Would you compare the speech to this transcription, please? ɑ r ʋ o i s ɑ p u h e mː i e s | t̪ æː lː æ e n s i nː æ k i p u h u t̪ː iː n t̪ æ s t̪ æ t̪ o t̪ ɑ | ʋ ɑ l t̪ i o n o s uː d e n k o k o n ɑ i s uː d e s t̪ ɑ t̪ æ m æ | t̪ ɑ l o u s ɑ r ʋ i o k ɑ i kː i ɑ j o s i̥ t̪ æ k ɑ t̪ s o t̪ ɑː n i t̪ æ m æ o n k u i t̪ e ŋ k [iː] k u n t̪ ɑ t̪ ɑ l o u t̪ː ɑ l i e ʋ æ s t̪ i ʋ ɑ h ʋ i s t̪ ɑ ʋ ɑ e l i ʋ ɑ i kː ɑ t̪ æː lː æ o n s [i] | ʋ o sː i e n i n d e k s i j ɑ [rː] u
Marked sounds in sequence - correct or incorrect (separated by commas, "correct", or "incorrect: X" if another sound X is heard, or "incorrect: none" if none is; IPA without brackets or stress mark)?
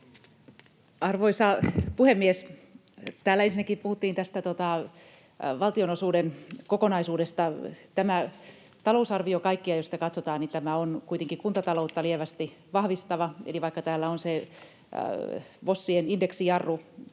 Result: incorrect: i, incorrect: e, correct